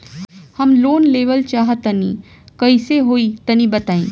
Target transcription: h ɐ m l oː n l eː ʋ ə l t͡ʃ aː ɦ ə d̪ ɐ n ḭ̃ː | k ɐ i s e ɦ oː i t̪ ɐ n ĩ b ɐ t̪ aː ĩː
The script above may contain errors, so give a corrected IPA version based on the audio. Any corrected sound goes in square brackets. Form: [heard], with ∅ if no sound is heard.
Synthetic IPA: h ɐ m l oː n l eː ʋ ə l t͡ʃ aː ɦ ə [t̪] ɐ n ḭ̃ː | k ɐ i s e ɦ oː i t̪ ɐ n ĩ b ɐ t̪ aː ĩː